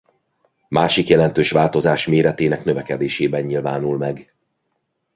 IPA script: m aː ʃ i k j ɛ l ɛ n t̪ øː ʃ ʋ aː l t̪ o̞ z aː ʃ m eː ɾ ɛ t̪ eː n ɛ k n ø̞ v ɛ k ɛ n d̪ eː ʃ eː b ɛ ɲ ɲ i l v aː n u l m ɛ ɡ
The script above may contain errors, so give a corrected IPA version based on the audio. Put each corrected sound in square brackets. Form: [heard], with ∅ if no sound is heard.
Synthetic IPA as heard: m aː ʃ i k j ɛ l ɛ n t̪ øː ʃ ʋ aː l t̪ o̞ z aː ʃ m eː ɾ ɛ t̪ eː n ɛ k n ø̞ v ɛ k ɛ [∅] d̪ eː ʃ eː b ɛ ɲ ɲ i l v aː n u l m ɛ ɡ